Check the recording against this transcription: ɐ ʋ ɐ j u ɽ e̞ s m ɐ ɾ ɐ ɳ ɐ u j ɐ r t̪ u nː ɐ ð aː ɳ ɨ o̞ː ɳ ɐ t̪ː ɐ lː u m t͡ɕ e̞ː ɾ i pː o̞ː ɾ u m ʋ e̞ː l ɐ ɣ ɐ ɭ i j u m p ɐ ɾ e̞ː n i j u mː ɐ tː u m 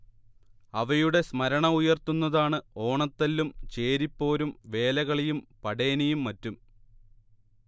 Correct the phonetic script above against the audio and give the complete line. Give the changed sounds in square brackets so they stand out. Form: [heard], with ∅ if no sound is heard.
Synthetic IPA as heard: ɐ ʋ ɐ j u ɽ e̞ s m ɐ ɾ ɐ ɳ ɐ u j ɐ r t̪ u nː ɐ ð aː ɳ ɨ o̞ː ɳ ɐ t̪ː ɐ lː u m t͡ɕ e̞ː ɾ i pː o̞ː ɾ u m ʋ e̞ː l ɐ ɣ ɐ ɭ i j u m p ɐ [ɽ] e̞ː n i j u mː ɐ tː u m